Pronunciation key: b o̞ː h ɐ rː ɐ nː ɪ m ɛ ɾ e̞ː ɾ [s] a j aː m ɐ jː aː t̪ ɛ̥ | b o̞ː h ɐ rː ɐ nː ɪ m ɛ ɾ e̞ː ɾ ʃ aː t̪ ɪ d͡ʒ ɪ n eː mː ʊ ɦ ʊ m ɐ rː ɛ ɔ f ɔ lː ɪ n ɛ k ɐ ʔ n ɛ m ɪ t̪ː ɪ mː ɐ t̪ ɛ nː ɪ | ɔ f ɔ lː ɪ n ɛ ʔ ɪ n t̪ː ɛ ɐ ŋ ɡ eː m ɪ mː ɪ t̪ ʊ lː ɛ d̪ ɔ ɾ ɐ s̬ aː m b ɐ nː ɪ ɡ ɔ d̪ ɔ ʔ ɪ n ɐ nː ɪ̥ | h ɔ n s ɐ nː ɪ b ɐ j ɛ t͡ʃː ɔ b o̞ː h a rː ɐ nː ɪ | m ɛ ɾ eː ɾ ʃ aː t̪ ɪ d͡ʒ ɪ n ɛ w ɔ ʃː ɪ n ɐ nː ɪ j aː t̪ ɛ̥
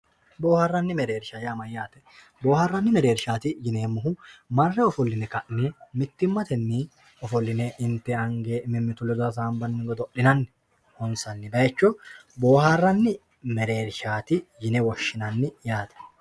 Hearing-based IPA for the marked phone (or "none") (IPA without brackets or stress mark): ʃ